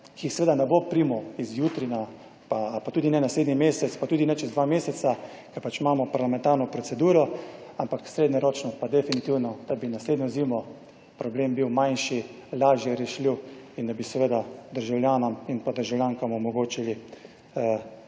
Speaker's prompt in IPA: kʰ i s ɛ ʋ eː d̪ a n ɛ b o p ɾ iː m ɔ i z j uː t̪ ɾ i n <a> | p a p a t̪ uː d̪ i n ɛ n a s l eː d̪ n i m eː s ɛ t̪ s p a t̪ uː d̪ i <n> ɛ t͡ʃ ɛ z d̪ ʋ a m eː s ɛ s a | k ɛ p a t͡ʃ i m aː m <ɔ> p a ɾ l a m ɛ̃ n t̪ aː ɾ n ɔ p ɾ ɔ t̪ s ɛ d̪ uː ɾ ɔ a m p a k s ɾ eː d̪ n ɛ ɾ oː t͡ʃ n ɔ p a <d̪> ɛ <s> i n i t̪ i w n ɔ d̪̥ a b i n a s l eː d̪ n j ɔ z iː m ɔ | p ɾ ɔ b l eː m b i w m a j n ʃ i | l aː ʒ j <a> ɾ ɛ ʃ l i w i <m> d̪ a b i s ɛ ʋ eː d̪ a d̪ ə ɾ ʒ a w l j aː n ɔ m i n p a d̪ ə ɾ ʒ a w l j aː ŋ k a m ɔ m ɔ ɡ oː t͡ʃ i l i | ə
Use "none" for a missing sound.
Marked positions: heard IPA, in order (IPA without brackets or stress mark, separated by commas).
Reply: a, n, ɔ, d̪, f, ɛ, n